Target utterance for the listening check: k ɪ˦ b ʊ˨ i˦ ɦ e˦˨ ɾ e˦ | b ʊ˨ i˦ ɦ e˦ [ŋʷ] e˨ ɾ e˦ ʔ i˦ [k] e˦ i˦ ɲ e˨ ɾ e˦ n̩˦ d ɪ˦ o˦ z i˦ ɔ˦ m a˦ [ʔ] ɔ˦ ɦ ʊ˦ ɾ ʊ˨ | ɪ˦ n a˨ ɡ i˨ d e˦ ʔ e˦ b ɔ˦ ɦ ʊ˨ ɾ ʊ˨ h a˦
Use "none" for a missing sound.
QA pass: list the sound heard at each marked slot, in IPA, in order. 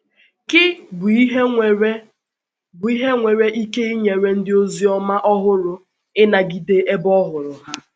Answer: ŋʷ, k, ʔ

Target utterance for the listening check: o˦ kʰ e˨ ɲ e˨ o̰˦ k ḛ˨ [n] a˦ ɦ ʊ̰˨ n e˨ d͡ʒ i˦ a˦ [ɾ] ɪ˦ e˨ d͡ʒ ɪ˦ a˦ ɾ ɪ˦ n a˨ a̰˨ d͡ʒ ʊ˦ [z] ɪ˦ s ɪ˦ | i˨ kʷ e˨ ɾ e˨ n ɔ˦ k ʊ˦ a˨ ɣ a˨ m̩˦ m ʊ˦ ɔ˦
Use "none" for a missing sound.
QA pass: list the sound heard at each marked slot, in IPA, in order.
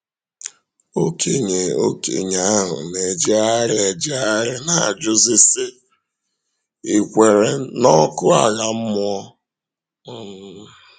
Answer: ɲ, ɾ, z

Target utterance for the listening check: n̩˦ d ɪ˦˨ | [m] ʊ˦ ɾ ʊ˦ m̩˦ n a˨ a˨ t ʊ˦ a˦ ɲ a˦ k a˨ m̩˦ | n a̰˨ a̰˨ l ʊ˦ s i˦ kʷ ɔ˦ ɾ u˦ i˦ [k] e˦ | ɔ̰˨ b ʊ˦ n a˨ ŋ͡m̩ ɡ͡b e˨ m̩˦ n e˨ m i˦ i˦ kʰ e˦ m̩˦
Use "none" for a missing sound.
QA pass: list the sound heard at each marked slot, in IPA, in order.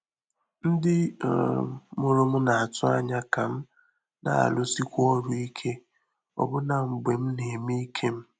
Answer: m, kʰ

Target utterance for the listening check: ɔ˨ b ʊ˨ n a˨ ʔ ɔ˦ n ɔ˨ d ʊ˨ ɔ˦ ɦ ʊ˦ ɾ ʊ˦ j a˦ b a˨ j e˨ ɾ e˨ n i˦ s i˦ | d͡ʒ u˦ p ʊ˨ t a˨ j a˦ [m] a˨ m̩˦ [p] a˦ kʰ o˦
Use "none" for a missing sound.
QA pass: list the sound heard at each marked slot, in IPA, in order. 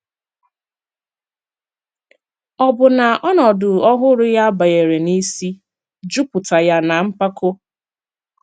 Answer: n, p

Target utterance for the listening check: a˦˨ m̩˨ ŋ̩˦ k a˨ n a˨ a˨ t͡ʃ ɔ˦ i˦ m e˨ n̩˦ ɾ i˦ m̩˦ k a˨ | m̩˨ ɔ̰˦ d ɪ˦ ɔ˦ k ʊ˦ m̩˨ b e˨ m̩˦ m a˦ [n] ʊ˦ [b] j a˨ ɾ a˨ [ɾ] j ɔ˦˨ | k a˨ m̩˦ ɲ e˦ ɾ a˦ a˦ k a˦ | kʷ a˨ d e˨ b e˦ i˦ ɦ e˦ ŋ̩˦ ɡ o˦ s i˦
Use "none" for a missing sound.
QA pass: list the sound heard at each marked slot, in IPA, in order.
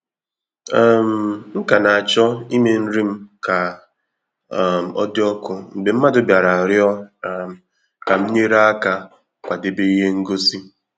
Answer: d, b, ɾ

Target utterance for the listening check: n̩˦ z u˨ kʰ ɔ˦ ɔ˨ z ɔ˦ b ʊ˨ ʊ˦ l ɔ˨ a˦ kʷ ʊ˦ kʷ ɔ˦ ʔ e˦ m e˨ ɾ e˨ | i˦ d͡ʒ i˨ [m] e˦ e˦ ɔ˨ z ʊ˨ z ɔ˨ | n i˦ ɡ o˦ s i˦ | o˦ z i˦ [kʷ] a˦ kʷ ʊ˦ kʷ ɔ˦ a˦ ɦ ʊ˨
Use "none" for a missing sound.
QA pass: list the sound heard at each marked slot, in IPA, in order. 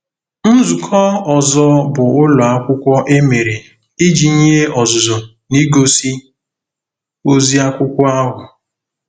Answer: ɲ, none

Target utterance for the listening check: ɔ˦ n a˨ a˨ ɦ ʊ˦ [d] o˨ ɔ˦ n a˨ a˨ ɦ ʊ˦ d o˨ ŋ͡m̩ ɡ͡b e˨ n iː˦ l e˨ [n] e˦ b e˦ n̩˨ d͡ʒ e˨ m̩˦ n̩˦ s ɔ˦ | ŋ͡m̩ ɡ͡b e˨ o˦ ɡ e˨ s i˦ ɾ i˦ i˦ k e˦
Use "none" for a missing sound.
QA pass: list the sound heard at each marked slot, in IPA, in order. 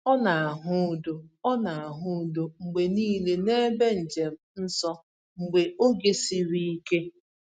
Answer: d, n

